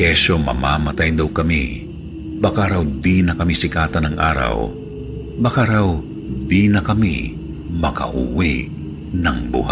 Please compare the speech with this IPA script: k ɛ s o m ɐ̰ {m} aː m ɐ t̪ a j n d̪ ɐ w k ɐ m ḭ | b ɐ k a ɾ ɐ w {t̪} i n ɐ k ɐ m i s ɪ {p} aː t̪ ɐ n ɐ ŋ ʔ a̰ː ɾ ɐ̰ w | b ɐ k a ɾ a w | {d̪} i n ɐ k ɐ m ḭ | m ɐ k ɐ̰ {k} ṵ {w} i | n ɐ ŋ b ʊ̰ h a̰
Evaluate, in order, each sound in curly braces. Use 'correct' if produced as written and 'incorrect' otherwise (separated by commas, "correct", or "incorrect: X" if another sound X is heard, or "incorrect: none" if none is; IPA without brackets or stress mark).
correct, incorrect: d̪, incorrect: k, correct, incorrect: ʔ, correct